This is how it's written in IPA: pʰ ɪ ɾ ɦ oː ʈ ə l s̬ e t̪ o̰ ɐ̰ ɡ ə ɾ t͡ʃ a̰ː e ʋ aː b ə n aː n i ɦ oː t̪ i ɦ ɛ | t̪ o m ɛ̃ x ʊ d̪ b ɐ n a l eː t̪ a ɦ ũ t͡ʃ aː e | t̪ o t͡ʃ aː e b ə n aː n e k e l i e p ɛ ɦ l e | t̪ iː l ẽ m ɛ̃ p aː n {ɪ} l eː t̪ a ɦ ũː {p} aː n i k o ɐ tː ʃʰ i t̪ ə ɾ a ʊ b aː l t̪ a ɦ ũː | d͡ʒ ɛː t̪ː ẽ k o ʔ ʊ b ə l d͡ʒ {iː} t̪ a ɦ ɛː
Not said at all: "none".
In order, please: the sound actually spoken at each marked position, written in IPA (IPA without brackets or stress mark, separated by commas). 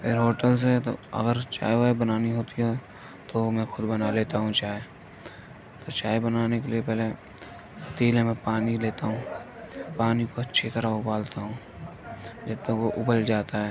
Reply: i, p, aː